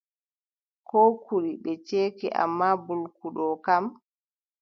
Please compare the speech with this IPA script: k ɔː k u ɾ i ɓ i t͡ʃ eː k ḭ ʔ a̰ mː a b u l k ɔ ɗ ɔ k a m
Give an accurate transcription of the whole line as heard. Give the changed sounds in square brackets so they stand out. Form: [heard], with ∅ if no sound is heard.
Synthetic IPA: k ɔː k u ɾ i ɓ [ɛ] t͡ʃ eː k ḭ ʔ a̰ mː a b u l k [u] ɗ ɔ k a m